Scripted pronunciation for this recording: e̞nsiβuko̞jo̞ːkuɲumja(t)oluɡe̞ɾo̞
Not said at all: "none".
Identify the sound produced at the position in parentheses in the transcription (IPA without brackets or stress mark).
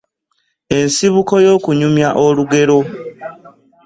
ʔ